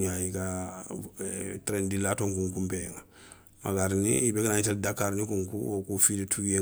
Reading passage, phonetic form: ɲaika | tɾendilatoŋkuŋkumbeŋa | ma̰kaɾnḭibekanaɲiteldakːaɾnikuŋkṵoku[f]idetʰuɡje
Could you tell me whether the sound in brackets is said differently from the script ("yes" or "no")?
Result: no